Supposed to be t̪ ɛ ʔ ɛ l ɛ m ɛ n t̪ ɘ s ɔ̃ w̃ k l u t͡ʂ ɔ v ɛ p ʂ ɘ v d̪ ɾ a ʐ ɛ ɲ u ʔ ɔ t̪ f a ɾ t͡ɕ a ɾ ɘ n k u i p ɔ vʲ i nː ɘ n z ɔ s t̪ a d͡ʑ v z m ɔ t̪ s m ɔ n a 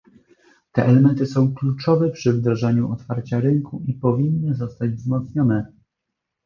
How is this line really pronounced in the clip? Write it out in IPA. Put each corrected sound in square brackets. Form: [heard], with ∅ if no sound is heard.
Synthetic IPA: t̪ ɛ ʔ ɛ l ɛ m ɛ n t̪ ɘ s ɔ̃ w̃ k l u t͡ʂ ɔ v ɛ p ʂ ɘ v d̪ ɾ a ʐ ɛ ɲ u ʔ ɔ t̪ f a ɾ t͡ɕ a ɾ ɘ [ŋ] k u i p ɔ vʲ i nː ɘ [∅] z ɔ s t̪ a d͡ʑ v z m ɔ t̪ s [ɲ] ɔ n [ɛ]